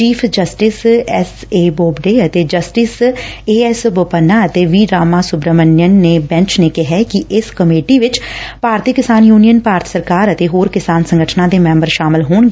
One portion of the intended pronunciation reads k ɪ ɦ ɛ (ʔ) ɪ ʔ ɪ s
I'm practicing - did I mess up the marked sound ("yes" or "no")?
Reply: yes